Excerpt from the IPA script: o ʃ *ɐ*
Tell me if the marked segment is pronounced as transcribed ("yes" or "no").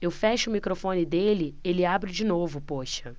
yes